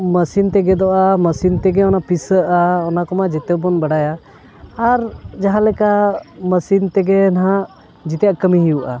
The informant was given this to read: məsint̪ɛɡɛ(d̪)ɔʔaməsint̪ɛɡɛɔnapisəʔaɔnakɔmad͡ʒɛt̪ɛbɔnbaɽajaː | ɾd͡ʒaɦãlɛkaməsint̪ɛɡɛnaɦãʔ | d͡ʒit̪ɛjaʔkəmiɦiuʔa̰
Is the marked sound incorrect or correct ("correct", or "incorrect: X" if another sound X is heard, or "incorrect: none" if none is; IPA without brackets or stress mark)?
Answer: correct